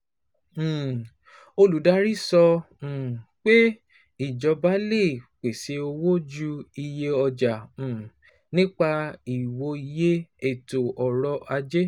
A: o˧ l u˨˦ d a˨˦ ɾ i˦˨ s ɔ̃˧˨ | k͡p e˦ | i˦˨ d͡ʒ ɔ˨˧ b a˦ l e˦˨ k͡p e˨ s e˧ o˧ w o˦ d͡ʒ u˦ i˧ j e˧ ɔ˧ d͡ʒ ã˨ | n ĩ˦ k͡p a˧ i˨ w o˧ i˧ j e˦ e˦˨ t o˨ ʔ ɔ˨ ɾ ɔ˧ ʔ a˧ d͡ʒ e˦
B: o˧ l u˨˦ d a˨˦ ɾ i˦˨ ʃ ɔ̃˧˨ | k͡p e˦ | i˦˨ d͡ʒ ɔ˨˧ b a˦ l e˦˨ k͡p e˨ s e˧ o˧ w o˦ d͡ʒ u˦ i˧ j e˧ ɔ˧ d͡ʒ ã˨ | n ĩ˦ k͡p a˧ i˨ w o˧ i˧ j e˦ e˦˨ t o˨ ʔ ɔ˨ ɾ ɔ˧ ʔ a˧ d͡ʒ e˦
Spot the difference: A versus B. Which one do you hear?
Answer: A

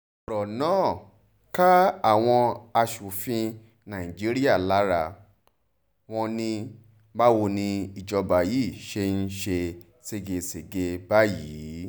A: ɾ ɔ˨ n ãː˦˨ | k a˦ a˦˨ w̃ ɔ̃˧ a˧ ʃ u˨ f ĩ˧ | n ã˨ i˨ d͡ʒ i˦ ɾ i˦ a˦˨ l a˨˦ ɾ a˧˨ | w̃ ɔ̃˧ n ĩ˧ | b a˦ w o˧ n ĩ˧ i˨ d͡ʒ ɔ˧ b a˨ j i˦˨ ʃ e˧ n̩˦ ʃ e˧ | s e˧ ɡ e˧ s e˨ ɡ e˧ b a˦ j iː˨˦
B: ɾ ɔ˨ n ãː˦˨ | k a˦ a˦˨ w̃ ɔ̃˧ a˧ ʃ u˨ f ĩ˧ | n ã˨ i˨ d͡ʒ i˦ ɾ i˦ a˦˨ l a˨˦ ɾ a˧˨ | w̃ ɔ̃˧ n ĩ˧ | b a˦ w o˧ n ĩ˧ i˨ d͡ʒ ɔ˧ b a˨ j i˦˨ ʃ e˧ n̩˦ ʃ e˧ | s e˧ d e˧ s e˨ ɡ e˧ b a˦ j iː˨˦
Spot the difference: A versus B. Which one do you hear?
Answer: A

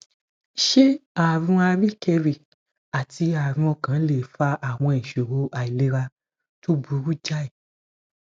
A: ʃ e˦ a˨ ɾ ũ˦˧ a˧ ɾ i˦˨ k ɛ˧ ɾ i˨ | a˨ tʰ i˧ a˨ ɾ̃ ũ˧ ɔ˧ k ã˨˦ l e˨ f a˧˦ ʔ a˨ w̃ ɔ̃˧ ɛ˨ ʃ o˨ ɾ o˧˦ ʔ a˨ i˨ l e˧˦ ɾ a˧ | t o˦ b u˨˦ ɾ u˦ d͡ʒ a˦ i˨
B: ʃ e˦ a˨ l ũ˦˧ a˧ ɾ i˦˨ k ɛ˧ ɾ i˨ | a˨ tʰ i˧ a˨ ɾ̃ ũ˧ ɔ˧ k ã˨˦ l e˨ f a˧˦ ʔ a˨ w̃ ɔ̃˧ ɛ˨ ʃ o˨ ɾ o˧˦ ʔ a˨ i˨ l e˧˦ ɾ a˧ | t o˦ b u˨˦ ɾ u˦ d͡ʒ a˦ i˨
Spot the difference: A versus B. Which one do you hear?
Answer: A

